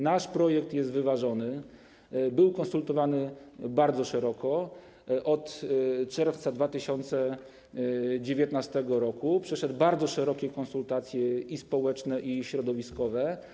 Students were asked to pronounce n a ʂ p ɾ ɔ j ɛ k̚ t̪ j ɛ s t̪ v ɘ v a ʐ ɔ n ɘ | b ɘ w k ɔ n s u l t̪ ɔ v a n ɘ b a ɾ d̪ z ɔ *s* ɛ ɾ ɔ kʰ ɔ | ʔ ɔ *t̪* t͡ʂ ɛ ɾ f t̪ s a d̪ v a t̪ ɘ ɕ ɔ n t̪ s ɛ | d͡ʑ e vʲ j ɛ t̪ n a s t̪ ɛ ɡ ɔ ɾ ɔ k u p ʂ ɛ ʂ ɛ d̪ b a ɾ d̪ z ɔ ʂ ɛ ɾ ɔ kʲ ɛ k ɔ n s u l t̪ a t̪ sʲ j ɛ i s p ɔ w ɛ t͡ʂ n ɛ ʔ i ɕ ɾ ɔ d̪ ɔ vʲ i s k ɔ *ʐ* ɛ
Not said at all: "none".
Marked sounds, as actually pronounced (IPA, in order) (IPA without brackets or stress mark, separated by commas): ʂ, t̪, v